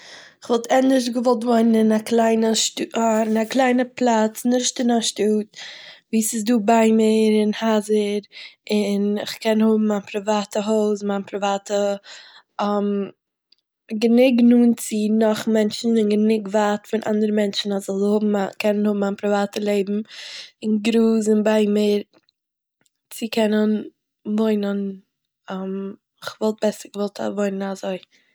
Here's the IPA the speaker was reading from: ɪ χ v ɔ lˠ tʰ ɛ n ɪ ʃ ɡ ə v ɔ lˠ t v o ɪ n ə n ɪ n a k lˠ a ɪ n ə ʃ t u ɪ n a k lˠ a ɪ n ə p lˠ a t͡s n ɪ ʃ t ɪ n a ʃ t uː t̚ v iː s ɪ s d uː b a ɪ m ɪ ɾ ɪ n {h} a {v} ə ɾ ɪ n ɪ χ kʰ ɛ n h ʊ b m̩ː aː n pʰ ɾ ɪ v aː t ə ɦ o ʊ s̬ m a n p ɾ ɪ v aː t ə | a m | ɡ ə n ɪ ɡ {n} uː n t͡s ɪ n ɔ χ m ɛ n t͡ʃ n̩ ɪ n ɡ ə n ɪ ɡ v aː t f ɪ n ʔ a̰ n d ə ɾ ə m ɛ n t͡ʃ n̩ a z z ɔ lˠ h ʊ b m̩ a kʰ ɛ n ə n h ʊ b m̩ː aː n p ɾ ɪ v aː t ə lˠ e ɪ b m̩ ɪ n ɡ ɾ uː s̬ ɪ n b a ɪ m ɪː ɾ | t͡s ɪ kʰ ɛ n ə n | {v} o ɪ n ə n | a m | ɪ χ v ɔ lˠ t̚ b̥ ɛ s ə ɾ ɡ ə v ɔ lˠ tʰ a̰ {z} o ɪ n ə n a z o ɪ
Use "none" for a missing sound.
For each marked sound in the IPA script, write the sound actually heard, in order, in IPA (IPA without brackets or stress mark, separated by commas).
h, z, n, v, v